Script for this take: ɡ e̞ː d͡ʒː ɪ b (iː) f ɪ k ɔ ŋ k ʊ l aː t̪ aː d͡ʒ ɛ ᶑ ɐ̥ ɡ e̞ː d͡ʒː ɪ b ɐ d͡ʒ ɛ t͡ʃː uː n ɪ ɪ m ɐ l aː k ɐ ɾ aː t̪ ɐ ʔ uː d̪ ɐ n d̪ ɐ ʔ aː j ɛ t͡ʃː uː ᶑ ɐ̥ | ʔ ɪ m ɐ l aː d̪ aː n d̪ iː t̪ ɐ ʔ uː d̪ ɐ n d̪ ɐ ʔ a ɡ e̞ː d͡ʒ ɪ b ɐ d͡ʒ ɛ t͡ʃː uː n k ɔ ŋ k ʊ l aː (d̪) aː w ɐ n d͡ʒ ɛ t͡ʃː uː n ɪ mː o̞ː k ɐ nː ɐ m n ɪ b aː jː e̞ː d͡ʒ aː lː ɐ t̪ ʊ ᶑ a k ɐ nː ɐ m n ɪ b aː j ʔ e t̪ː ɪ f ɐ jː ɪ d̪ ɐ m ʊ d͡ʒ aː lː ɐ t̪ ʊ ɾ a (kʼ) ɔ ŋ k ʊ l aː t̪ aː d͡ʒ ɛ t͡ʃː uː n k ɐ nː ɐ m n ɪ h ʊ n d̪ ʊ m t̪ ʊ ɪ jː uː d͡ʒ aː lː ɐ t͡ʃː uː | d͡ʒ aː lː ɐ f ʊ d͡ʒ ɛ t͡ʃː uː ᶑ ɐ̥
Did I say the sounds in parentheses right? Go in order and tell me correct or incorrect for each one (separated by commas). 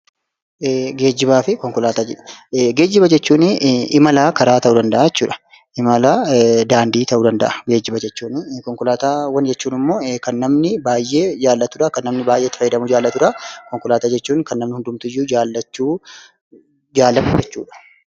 incorrect, incorrect, incorrect